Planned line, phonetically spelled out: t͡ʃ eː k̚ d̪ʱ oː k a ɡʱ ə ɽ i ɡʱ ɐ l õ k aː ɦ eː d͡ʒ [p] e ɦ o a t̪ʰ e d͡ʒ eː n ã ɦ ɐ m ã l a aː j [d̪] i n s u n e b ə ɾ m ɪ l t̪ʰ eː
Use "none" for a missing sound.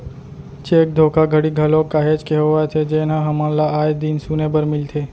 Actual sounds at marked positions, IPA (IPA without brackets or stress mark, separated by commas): k, d̪